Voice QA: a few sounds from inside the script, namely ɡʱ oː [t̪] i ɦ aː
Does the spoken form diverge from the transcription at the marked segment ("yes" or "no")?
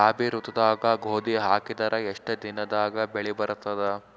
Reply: yes